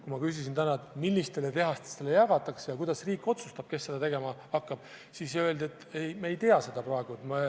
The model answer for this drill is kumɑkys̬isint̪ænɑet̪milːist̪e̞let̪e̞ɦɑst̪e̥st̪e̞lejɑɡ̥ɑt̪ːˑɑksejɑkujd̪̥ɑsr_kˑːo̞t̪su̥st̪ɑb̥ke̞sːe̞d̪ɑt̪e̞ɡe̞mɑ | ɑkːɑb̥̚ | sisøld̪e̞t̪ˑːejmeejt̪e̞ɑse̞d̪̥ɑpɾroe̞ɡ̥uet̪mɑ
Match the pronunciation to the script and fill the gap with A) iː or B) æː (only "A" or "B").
A